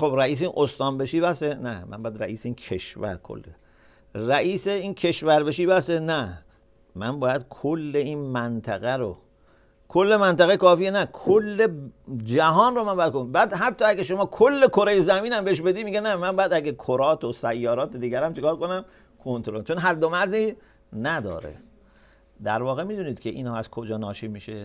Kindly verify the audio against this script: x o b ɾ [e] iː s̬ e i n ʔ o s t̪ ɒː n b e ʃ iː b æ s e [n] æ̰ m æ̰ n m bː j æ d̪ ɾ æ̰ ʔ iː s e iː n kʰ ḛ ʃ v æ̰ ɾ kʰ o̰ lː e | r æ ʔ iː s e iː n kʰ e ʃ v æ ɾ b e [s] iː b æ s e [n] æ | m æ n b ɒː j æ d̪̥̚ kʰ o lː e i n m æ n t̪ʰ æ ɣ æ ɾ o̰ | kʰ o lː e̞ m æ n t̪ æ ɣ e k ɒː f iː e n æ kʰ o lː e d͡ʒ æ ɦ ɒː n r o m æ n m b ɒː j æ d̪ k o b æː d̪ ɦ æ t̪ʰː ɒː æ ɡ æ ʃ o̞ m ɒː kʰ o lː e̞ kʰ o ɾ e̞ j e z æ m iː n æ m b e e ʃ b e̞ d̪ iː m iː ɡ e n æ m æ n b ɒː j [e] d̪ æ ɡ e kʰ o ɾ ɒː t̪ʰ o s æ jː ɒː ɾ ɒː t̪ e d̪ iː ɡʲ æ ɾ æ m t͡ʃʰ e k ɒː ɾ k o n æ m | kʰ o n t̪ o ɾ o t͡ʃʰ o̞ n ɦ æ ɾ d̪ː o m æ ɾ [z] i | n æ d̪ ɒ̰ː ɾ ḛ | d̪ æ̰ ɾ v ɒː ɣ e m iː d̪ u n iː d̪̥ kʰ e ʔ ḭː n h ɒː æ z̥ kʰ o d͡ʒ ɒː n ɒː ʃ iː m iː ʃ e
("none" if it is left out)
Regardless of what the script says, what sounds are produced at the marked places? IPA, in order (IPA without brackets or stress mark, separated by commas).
æ, n, ʃ, n, æ, z